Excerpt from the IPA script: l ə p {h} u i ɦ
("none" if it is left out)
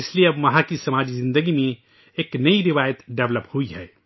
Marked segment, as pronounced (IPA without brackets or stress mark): h